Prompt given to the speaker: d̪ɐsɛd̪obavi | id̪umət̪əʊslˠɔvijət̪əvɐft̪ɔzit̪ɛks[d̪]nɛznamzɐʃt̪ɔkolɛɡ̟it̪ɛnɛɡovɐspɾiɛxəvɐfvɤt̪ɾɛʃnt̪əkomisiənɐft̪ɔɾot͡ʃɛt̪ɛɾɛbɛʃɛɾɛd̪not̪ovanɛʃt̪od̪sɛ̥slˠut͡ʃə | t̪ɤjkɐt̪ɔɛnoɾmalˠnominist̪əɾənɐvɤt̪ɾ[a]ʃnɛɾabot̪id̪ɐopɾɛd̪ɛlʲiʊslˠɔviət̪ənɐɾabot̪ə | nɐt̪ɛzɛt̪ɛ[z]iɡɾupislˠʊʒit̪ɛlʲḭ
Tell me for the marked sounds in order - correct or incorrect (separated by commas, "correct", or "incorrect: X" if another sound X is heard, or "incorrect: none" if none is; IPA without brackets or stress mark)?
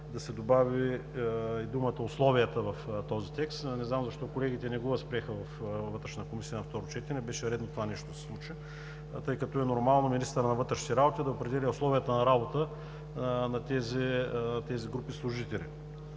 incorrect: t̪, incorrect: ɛ, correct